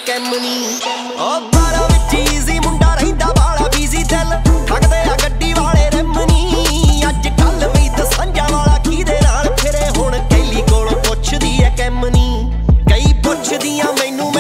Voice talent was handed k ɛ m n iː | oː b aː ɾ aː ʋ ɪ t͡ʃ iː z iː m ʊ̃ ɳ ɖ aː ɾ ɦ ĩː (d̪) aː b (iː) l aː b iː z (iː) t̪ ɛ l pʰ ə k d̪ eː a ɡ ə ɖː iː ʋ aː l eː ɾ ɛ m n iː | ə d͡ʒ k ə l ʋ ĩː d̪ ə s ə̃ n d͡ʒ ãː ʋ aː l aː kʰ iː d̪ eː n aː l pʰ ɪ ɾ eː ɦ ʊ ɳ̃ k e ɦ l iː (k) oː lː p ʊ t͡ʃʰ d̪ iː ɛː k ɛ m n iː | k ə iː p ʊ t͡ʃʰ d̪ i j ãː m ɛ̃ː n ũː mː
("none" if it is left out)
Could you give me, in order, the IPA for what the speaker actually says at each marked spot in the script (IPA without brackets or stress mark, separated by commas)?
d̪, aː, iː, k